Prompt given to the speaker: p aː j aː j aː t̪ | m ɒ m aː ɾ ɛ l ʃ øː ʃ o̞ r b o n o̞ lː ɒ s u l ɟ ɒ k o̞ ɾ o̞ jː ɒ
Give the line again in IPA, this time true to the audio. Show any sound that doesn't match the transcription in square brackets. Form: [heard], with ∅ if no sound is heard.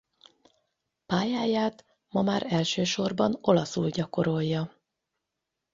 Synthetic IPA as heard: p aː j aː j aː t̪ | m ɒ m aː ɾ ɛ l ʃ øː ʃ o̞ r b [ɒ] n o̞ [l] ɒ s u l ɟ ɒ k o̞ ɾ o̞ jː ɒ